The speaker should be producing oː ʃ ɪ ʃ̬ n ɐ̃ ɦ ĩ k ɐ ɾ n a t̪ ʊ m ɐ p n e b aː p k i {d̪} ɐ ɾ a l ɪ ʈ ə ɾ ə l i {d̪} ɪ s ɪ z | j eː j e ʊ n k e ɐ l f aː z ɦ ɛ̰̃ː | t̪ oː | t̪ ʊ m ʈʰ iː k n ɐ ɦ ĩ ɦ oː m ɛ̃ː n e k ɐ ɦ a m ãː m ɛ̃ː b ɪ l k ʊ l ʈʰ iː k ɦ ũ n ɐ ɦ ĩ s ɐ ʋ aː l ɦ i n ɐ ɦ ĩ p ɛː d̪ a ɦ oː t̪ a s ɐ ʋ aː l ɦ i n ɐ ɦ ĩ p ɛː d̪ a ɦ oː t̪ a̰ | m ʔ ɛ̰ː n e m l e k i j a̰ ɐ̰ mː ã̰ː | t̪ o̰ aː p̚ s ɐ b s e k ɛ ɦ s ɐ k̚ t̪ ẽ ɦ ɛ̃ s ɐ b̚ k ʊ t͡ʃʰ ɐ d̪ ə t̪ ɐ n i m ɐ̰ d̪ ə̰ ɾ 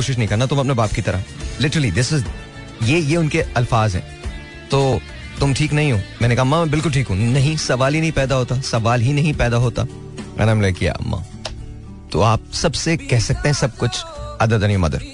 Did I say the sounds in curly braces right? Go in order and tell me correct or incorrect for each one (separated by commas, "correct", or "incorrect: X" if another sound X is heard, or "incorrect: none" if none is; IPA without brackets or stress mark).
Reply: incorrect: t̪, correct